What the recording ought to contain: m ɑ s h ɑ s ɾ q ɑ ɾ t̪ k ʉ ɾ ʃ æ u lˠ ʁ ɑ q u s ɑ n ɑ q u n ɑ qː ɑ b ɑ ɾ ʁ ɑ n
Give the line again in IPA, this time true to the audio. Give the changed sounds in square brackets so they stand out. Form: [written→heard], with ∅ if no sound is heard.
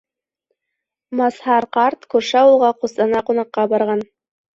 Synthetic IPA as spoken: m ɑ s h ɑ [s→∅] ɾ q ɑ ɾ t̪ k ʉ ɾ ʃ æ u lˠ ʁ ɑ q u s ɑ n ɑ q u n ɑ qː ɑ b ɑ ɾ ʁ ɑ n